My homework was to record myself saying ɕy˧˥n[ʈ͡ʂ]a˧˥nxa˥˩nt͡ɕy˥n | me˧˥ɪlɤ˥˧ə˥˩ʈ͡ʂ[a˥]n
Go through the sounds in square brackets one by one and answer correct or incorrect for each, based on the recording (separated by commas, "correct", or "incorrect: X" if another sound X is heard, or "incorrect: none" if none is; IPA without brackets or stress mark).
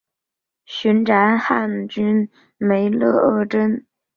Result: correct, incorrect: ə˥